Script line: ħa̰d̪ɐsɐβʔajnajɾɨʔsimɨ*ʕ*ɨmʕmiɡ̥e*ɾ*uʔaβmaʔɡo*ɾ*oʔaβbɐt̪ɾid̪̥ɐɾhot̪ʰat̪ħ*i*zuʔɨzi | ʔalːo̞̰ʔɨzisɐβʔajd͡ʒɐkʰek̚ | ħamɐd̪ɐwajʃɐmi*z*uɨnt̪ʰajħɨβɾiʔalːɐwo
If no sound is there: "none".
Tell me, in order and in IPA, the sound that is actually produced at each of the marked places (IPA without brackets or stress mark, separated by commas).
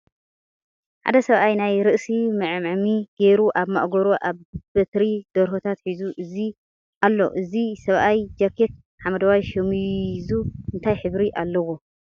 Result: ʕ, ɾ, ɾ, i, z